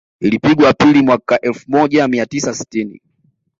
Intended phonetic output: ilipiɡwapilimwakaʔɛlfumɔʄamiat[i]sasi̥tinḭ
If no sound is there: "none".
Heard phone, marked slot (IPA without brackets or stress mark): i